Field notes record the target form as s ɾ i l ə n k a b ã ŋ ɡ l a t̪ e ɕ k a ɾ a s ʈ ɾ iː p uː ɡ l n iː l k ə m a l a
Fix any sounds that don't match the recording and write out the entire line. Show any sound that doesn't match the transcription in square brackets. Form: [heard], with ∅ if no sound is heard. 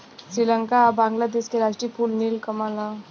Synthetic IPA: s ɾ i l ə [ŋ] k a b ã ŋ ɡ l a [d̪] e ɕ k [e] ɾ a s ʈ ɾ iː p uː [∅] l n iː l k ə m a l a

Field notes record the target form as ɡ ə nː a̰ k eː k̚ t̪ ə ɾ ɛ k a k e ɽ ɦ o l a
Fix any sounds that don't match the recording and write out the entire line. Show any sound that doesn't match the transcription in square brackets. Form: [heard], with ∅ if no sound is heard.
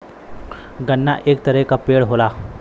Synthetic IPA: ɡ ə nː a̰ [ʔ] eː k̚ t̪ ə ɾ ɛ k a [p] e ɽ ɦ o l a

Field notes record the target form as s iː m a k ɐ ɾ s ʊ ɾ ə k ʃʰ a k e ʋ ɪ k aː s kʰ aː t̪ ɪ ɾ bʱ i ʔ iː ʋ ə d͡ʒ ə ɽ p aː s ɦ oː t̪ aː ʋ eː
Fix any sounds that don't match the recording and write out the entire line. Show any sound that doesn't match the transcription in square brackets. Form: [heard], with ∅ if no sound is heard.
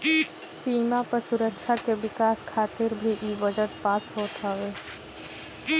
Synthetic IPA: s iː m a [p] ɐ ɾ s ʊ ɾ ə k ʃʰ a k e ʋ ɪ k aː s kʰ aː t̪ ɪ ɾ bʱ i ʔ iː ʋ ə d͡ʒ ə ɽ p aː s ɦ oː t̪ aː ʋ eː

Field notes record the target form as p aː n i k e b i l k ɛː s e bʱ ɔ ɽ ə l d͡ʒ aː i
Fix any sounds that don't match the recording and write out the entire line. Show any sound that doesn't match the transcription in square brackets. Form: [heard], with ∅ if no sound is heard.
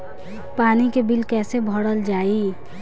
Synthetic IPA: p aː n i k e b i l k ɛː s e bʱ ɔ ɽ ə l d͡ʒ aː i

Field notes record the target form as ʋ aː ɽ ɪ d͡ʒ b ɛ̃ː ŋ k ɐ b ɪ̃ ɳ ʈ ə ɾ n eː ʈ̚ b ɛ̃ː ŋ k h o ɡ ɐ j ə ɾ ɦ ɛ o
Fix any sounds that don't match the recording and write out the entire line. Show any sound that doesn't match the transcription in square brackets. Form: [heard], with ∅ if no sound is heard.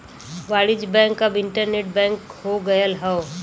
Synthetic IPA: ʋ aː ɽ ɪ d͡ʒ b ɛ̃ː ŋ k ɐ b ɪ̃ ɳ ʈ ə ɾ n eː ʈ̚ b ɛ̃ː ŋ k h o ɡ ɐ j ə [l] ɦ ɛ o

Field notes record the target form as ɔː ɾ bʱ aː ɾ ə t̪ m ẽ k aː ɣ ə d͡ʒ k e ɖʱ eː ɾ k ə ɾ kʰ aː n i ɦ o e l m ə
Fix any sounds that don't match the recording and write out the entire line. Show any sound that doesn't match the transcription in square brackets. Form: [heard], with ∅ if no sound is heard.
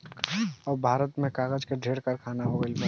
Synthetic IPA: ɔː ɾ bʱ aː ɾ ə t̪ m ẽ k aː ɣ ə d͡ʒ k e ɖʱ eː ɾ k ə ɾ kʰ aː n [a] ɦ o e l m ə

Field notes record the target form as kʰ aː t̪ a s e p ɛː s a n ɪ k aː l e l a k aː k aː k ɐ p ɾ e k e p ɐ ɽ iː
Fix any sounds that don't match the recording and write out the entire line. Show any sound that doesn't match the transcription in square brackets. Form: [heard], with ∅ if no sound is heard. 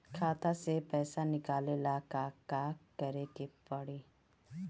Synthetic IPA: kʰ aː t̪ a s e p ɛː s a n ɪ k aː l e l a k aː k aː k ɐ [∅] ɾ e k e p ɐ ɽ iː

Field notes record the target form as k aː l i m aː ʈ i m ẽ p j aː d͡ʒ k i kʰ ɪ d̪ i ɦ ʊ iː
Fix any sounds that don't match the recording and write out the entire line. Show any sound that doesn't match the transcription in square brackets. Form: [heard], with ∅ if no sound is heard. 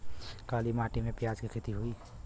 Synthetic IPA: k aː l i m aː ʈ i m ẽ p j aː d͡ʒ k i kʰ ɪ [t̪] i ɦ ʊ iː

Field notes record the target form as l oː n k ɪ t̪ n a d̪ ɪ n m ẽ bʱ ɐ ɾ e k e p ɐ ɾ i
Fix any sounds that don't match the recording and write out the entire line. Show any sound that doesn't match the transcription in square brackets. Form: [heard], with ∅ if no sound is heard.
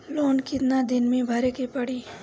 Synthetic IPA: l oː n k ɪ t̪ n a d̪ ɪ n m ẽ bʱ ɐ ɾ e k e p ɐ [ɽ] i

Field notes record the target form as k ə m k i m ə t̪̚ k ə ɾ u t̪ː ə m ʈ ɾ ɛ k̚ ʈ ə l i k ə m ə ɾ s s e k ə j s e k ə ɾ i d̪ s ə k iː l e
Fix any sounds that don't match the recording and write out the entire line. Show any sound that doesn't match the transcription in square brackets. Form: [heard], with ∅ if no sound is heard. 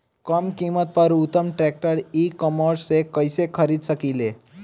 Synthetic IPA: k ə m k i m ə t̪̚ [p] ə ɾ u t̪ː ə m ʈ ɾ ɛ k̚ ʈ ə [ɾ] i k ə m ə ɾ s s e k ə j s e [kʰ] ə ɾ i d̪ s ə k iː l e

